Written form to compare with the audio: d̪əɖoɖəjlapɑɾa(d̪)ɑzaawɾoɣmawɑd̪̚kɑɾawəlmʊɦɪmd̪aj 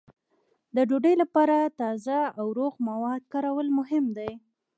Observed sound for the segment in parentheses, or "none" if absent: t̪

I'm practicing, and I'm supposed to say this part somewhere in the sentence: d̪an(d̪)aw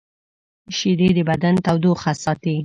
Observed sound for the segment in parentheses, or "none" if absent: t̪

